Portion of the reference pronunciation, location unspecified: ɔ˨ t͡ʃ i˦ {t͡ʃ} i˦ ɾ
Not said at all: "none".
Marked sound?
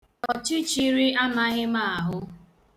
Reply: t͡ʃ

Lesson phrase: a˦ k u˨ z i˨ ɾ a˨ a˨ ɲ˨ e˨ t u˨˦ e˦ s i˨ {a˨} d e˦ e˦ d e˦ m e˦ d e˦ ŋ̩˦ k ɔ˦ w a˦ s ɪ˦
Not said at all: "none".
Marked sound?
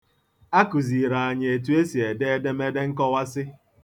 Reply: e˨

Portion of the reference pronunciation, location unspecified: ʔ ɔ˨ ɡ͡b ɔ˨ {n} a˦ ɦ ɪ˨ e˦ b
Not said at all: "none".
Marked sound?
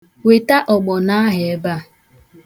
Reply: n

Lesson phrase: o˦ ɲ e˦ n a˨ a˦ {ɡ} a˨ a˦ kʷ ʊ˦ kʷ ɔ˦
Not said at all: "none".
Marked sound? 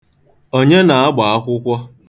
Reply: ɡ͡b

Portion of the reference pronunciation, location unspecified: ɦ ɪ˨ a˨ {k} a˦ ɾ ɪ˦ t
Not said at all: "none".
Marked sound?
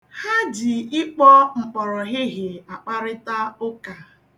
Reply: k͡p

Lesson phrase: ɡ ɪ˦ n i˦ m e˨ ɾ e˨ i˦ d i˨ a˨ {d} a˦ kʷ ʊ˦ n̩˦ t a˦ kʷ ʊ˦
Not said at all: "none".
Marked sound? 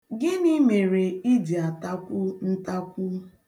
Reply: t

